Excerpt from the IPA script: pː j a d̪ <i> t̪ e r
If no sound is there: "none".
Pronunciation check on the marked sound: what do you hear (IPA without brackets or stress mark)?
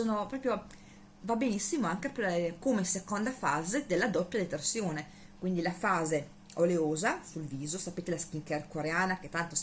e